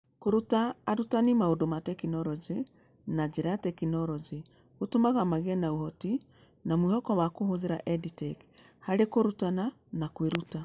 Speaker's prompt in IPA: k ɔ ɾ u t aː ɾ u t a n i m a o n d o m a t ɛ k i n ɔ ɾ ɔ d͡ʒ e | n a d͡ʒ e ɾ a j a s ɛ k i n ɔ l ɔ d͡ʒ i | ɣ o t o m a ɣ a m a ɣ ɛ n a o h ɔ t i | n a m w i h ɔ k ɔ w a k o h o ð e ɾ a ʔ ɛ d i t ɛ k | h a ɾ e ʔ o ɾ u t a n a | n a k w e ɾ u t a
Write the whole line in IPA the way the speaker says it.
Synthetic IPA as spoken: k o ɾ u t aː ɾ u t a n i m a o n d o m a t ɛ k i n ɔ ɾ ɔ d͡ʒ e | n a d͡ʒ e ɾ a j a t ɛ k i n ɔ ɾ ɔ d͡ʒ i | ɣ o t o m a ɣ a m a ɣ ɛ n a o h ɔ t i | n a m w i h ɔ k ɔ w a k o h o ð e ɾ a ʔ ɛ d i t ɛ k | h a ɾ e k o ɾ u t a n a | n a k w e ɾ u t a